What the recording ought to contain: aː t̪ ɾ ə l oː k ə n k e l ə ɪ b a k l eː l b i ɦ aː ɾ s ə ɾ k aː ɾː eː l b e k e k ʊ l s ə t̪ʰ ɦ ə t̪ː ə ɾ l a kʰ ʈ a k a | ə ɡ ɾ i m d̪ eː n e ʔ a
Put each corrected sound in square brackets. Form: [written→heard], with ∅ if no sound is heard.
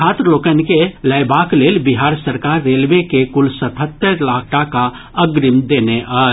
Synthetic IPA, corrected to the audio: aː t̪ ɾ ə l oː k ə n k e l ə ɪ b a k l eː l b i ɦ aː ɾ s ə ɾ k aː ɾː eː l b e k e k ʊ l s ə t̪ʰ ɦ ə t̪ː ə ɾ l a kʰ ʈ a k a | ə ɡ ɾ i m d̪ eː n e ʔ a